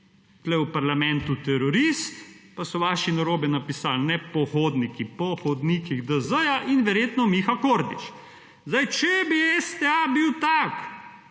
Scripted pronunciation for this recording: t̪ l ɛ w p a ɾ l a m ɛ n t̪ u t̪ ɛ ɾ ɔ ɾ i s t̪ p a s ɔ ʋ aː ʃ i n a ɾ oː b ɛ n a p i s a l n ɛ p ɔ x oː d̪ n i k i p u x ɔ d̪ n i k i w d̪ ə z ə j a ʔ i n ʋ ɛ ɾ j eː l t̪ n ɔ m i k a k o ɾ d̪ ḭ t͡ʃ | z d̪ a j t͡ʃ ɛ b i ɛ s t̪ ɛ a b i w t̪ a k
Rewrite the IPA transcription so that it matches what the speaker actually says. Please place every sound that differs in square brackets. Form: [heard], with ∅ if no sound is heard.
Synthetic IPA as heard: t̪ l ɛ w p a ɾ l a m ɛ n t̪ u t̪ ɛ ɾ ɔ ɾ i s t̪ p a s ɔ ʋ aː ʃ i n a ɾ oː b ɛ n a p i s a l n ɛ p ɔ x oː d̪ n i k i p [ɔ] x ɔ d̪ n i k i [ɣ] d̪ ə z ə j a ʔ i n ʋ ɛ ɾ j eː [∅] t̪ n ɔ m i [x] a k o ɾ d̪ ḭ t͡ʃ | z d̪ a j t͡ʃ ɛ b i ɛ s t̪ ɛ a b i w t̪ a k